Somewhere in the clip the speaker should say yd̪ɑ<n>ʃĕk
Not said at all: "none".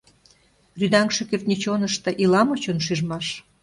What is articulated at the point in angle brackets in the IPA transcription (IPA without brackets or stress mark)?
ŋ